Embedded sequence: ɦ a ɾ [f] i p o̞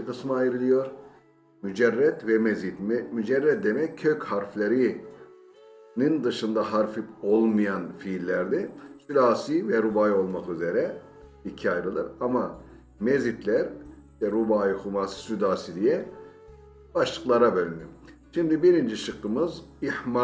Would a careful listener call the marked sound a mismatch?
no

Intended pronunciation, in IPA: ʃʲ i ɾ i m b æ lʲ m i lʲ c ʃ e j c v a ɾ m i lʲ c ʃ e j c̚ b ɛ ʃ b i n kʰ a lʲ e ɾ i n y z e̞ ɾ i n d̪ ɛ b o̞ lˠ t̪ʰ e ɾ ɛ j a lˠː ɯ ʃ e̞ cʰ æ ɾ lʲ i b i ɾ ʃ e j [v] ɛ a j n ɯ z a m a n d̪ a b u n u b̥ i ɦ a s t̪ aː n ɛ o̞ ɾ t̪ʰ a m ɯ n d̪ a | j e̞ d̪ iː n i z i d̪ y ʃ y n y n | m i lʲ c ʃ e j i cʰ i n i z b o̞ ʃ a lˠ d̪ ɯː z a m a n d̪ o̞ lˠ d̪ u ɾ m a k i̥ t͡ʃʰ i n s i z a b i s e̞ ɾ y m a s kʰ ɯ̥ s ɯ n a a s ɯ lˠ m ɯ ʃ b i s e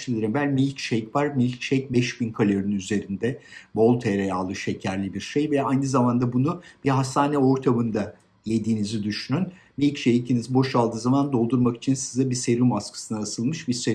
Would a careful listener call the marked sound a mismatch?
no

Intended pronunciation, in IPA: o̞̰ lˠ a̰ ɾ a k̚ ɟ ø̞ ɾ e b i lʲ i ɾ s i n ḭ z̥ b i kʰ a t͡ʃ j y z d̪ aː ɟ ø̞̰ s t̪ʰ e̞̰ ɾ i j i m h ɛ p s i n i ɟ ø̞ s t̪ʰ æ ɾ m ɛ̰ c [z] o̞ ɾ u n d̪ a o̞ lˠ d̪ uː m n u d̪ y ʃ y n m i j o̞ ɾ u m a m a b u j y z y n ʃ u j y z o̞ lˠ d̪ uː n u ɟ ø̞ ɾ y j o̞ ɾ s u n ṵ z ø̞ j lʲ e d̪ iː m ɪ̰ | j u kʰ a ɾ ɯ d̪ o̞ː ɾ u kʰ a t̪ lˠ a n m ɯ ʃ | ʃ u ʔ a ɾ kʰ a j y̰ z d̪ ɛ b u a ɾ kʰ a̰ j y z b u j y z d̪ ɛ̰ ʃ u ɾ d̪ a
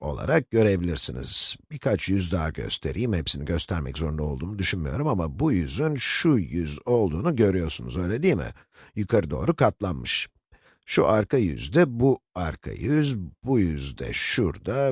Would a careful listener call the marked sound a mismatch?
no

